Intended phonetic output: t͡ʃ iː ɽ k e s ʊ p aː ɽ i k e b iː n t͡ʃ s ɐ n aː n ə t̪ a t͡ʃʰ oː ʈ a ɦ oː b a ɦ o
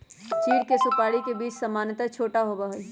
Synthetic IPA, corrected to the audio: t͡ʃ iː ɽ k e s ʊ p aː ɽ i k e b iː t͡ʃ s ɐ m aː n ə t̪ a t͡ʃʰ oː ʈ a ɦ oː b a ɦ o